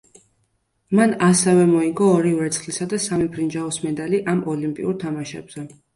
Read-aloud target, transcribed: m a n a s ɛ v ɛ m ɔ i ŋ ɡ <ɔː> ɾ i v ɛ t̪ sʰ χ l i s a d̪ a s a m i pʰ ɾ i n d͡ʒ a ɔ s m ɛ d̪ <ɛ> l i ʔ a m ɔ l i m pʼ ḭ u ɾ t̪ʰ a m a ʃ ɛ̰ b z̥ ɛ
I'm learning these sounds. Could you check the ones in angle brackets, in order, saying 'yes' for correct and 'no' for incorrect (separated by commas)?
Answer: yes, no